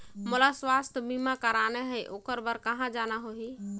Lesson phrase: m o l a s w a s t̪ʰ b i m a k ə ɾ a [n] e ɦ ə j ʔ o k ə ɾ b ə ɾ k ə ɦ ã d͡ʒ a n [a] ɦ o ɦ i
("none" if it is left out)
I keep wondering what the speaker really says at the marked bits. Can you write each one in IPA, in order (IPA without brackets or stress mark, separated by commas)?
n, a